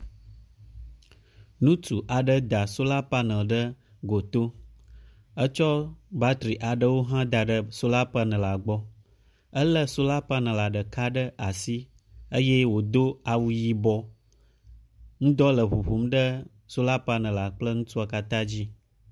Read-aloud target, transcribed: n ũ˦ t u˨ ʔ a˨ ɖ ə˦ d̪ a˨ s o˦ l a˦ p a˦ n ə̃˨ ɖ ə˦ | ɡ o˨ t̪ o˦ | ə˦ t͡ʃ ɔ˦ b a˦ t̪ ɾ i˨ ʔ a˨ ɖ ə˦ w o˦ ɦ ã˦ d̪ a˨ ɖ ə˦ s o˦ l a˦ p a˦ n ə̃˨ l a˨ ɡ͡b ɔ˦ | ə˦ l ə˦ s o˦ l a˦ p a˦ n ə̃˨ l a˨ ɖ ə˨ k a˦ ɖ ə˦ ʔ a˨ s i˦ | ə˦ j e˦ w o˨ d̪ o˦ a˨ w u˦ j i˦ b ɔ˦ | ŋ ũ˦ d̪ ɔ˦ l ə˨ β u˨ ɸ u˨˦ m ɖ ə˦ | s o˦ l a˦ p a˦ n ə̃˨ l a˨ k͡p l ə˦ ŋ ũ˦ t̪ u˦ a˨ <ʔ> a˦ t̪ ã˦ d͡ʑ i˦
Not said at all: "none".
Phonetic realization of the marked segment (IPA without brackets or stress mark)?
k